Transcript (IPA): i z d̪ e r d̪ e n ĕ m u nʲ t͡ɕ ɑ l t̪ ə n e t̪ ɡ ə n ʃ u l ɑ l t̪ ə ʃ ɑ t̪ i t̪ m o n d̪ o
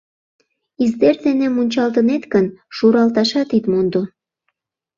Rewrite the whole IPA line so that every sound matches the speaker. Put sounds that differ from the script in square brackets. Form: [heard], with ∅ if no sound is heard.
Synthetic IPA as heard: i z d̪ e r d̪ e n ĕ m u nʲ t͡ɕ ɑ l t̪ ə n e t̪ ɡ ə n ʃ u [ɾ] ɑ l t̪ [ɑ] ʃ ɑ t̪ i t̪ m o n d̪ o